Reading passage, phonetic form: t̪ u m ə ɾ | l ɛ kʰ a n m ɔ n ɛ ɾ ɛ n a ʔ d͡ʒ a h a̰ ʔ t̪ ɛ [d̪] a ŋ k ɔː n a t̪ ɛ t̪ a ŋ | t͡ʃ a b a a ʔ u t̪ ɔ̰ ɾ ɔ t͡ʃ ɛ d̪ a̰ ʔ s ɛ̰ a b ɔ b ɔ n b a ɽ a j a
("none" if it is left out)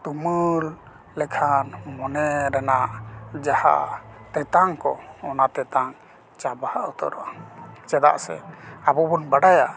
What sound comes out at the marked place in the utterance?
t̪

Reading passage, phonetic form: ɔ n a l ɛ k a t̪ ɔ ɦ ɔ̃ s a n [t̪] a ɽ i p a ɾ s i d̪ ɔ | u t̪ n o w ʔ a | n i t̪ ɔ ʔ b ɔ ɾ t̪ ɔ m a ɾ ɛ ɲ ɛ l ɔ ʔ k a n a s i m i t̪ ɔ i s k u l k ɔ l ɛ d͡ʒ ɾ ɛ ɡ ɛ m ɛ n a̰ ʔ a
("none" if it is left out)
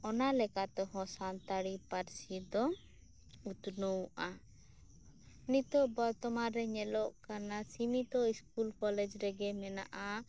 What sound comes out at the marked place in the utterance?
t̪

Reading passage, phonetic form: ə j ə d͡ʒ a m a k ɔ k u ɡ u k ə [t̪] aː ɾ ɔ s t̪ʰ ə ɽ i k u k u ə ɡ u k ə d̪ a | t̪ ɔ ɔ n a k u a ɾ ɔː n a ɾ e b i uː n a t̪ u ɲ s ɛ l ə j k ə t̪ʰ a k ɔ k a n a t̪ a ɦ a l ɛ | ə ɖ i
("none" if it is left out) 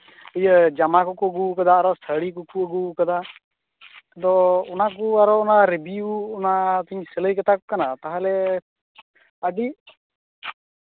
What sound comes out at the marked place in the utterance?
d̪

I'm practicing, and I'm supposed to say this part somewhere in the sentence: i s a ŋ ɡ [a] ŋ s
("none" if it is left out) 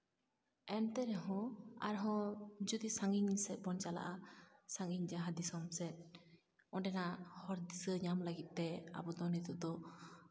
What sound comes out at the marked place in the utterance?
i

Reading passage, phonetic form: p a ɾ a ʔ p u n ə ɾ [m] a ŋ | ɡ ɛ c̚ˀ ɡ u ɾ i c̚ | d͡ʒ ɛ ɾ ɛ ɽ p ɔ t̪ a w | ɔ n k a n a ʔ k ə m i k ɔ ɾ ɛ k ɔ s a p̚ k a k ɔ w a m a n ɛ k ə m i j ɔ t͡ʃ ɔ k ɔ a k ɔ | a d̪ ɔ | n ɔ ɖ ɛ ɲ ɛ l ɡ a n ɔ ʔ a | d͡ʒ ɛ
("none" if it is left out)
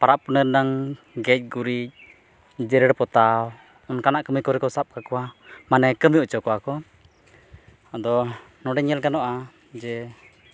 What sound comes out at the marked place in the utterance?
n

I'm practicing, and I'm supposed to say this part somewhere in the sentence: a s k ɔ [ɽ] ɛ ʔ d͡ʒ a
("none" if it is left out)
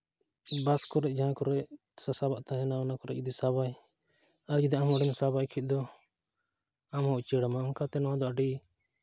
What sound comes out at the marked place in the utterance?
ɾ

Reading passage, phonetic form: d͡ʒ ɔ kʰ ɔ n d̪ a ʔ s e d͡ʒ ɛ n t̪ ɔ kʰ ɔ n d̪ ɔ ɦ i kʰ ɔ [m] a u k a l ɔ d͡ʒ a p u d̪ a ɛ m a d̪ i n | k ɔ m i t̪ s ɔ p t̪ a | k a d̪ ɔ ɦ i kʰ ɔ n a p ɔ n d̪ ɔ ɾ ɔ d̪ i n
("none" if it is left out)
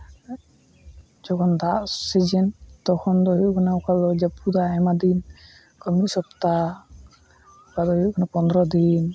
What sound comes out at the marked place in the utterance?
n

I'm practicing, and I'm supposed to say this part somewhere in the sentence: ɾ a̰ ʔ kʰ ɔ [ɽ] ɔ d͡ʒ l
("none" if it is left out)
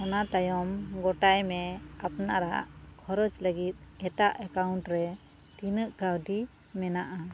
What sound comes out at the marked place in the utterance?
ɾ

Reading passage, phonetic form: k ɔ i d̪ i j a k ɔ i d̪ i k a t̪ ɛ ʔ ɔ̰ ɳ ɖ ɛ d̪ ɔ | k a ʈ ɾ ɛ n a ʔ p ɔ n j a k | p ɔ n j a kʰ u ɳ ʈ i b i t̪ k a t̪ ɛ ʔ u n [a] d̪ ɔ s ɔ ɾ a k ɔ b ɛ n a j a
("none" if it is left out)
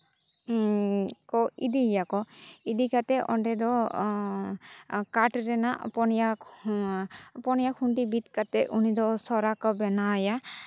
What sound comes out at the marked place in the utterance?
i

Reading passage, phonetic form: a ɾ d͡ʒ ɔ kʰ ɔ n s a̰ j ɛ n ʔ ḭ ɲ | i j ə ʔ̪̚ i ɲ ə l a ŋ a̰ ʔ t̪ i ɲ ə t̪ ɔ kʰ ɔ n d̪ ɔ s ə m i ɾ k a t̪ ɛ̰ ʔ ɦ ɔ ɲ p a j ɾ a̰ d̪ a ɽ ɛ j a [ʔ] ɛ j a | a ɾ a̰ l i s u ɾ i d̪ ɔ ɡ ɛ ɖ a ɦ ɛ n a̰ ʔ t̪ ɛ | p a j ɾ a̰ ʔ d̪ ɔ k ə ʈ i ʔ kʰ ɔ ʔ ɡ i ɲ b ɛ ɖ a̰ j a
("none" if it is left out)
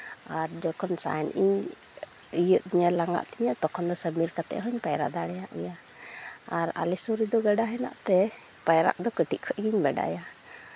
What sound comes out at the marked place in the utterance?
ʔ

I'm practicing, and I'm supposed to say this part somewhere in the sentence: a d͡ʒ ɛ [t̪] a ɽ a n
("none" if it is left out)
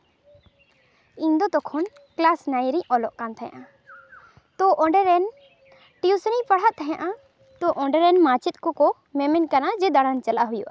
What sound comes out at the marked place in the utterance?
d̪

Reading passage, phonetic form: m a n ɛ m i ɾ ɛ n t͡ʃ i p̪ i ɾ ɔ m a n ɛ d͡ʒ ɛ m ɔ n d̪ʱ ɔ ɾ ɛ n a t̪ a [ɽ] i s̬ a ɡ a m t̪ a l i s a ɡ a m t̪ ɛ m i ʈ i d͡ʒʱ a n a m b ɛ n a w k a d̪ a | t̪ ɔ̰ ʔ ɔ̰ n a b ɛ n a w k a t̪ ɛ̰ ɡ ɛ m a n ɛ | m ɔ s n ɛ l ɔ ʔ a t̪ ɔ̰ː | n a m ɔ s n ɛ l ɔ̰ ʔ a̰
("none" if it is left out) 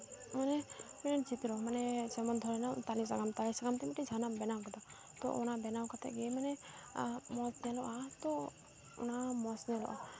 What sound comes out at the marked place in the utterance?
l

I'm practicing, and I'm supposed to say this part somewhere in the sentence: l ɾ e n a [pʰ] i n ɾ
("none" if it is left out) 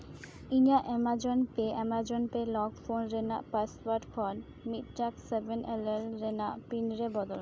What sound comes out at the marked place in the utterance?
p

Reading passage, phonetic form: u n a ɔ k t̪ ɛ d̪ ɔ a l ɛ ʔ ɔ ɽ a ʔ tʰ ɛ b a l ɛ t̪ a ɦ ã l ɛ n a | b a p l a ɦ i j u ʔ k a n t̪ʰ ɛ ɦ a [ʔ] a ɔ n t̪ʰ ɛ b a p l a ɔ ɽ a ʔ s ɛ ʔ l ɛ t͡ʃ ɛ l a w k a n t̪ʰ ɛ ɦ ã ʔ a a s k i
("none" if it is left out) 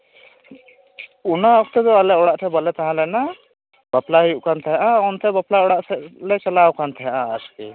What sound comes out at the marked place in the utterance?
ʔ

